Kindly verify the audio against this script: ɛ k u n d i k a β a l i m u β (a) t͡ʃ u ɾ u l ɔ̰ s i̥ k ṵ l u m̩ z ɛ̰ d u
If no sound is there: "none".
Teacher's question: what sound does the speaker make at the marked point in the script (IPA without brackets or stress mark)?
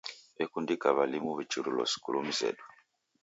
i